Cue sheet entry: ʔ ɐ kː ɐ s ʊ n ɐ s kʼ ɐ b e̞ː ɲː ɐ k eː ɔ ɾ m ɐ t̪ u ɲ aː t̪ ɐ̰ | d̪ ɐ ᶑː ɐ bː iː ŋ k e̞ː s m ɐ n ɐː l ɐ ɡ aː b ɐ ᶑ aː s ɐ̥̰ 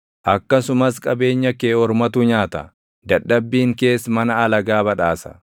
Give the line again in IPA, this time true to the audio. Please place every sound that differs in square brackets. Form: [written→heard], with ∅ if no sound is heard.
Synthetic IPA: ʔ ɐ kː ɐ s ʊ [n→m] ɐ s kʼ ɐ b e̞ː ɲː ɐ k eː ɔ ɾ m ɐ t̪ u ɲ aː t̪ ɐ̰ | d̪ ɐ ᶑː ɐ bː iː ŋ k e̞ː s m ɐ n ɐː l ɐ ɡ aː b ɐ ᶑ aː s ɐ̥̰